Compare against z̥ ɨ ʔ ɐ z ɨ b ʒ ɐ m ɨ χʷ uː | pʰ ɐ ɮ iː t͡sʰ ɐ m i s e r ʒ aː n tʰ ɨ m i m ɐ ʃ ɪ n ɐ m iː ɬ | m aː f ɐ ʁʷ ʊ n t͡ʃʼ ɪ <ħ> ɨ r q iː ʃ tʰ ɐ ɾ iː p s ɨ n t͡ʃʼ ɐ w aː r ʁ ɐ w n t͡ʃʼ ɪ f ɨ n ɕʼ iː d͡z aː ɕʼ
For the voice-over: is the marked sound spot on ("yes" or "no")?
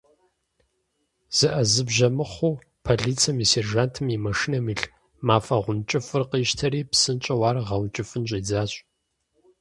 no